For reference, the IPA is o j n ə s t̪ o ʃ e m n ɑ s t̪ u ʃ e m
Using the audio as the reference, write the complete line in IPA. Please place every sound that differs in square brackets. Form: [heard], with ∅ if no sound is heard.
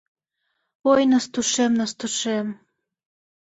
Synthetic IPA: o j n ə s t̪ [u] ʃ e m n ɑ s t̪ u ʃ e m